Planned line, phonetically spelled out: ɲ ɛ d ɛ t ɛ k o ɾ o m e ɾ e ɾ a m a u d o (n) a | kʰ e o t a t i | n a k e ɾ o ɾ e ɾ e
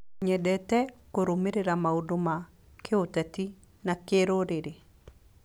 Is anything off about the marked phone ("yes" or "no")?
yes